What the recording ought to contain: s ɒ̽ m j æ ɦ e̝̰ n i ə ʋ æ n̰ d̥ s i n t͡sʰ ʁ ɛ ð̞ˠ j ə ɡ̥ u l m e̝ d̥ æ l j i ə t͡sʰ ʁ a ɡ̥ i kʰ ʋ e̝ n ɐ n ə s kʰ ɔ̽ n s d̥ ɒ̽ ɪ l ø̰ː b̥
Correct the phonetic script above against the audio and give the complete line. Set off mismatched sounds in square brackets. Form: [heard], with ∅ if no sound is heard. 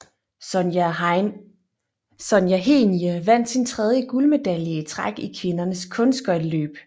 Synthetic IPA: s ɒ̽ [n] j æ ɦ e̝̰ n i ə ʋ æ n̰ d̥ s i n t͡sʰ ʁ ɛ ð̞ˠ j ə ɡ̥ u l m e̝ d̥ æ l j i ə t͡sʰ ʁ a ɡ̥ i kʰ ʋ e̝ n ɐ n ə s kʰ ɔ̽ n s [ɡ̥] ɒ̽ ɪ l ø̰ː b̥